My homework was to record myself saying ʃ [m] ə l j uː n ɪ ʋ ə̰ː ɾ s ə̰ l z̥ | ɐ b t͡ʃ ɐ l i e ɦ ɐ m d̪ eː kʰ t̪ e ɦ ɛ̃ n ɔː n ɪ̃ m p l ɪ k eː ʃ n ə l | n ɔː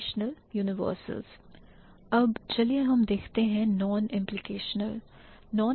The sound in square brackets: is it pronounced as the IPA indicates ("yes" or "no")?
no